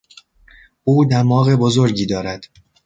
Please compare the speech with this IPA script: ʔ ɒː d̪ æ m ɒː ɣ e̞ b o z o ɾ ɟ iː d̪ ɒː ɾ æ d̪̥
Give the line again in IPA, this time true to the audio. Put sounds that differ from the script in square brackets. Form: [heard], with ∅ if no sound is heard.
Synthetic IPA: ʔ [uː] d̪ æ m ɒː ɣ e̞ b o z o ɾ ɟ iː d̪ ɒː ɾ æ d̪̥